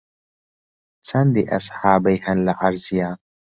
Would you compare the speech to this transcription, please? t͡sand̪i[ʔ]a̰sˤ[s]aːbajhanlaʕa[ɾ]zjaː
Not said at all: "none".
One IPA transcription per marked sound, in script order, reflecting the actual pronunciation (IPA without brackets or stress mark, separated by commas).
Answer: ʔ, ħ, ɾ